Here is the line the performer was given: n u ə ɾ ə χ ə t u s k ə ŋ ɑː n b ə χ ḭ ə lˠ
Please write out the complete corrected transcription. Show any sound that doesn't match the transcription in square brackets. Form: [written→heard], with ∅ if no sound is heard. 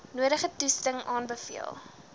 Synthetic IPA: n u ə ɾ ə χ ə t u s [k→t] ə ŋ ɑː n b ə [χ→f] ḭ ə lˠ